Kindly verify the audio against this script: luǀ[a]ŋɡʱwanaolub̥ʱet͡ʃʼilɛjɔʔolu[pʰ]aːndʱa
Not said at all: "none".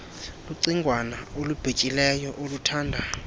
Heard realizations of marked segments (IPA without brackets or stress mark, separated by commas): i, tʰ